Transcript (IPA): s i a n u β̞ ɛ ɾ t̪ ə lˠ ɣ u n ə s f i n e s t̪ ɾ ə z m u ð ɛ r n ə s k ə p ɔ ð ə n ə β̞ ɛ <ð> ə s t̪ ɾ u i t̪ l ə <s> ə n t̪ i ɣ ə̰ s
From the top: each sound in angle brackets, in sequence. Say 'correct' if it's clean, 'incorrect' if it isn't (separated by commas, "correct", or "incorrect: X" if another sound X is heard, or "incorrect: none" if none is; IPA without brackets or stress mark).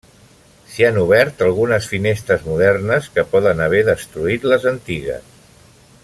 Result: correct, incorrect: z